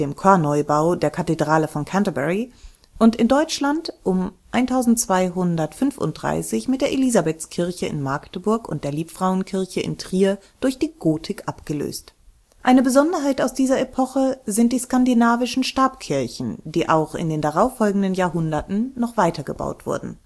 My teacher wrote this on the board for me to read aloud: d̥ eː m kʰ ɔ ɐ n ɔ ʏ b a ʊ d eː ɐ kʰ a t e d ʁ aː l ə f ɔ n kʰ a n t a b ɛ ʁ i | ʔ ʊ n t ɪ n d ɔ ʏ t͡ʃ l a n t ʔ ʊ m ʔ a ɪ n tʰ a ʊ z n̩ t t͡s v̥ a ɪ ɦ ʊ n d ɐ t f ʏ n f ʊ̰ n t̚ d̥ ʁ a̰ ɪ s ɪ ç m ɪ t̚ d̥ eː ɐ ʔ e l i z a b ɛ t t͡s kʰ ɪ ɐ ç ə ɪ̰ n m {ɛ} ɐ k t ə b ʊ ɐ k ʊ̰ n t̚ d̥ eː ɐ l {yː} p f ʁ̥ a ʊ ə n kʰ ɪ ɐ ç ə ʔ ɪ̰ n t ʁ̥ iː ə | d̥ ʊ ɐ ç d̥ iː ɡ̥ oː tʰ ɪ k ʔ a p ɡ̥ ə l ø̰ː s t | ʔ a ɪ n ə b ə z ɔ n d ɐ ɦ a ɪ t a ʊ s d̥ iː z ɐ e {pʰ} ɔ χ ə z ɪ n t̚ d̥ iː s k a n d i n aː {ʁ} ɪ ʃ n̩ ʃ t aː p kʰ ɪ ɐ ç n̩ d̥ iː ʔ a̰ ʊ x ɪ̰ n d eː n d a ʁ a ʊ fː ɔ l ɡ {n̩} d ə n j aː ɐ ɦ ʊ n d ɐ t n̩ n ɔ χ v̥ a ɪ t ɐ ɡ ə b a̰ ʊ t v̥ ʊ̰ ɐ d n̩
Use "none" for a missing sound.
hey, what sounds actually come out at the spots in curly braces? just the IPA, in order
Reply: a, iː, pʰ, v, ŋ̩

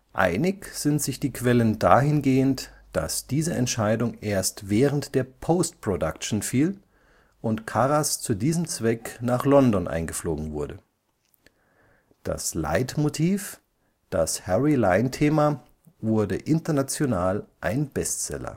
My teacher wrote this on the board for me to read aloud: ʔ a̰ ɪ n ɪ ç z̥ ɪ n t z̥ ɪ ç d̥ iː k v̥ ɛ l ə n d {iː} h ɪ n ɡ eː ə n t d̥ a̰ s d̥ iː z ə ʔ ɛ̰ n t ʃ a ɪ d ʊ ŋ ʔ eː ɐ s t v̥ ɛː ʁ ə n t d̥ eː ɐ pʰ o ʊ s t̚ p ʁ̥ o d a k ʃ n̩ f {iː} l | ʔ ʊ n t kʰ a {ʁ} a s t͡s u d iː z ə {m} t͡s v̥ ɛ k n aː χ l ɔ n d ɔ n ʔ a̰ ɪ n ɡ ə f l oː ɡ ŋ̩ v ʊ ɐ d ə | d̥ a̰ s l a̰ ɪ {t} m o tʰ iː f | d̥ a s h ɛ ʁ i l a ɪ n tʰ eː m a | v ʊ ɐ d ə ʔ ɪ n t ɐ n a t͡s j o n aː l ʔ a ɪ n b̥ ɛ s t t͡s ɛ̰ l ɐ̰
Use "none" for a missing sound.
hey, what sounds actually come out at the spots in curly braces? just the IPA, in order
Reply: aː, iː, ʁ, m, t

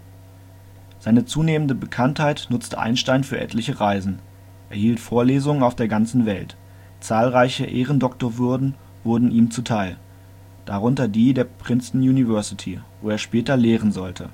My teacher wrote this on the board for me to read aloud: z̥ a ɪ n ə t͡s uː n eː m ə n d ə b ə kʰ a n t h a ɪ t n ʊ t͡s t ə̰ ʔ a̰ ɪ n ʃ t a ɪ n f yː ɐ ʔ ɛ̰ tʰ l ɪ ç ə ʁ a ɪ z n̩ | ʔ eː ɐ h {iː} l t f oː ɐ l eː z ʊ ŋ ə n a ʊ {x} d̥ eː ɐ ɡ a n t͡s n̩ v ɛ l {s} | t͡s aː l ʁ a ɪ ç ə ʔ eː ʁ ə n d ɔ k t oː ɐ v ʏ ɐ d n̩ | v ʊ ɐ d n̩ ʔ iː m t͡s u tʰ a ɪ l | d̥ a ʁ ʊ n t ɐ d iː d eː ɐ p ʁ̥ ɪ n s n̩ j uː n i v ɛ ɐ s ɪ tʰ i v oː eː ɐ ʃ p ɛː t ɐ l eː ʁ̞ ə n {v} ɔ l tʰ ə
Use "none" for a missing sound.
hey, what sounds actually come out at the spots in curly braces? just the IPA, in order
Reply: iː, f, t, z

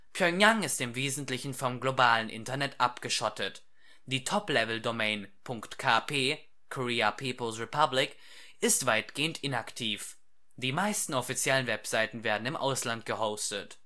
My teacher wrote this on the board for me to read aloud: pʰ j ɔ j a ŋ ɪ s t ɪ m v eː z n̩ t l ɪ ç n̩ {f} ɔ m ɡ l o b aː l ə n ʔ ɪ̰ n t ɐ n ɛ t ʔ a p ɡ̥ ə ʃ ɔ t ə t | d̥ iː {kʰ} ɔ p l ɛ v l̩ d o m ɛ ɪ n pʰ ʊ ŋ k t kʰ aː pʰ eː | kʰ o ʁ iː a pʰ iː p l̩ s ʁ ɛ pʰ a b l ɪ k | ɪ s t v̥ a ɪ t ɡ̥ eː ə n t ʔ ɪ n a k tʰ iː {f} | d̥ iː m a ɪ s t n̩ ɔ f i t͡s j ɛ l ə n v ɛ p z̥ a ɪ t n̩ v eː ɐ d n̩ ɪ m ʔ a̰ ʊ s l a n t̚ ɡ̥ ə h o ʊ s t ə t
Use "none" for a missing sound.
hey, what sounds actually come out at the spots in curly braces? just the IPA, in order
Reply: f, tʰ, f

